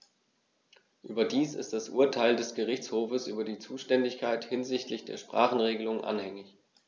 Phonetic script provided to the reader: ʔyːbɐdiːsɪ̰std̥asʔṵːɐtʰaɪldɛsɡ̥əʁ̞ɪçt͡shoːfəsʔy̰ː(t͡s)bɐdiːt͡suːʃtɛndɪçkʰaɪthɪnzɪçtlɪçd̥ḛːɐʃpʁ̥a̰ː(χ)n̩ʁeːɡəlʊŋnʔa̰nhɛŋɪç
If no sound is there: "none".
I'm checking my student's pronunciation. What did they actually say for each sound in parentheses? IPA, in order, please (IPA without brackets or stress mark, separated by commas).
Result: none, χ